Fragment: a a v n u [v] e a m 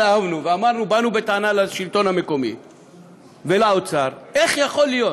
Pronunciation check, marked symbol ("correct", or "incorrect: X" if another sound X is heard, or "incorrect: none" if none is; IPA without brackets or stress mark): correct